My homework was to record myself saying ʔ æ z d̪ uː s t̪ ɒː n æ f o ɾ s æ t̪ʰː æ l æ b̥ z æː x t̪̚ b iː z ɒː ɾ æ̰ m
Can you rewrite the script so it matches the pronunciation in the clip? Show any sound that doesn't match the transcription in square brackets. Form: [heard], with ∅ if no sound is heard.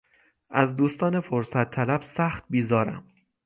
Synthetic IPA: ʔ æ z d̪ uː s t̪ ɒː n [e] f o ɾ s æ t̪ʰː æ l æ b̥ [s] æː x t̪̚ b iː z ɒː ɾ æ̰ m